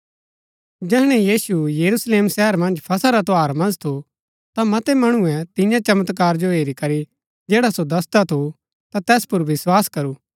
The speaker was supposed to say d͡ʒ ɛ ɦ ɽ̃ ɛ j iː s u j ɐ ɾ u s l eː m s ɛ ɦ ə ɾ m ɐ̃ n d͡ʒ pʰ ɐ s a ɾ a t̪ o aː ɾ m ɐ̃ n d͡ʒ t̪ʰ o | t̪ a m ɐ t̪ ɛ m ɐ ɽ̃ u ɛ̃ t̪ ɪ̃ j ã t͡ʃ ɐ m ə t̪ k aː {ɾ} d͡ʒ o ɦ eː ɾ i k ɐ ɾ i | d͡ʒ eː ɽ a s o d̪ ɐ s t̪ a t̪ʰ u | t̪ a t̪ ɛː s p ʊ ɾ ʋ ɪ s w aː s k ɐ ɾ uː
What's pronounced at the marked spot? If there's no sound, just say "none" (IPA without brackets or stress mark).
ɾ